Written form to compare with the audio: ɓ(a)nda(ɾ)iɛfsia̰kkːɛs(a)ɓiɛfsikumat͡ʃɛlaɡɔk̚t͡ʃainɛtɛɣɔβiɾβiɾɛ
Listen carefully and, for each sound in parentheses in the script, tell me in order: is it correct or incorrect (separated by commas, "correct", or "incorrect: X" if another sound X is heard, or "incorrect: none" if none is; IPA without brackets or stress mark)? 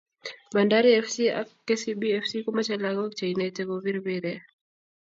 correct, correct, incorrect: i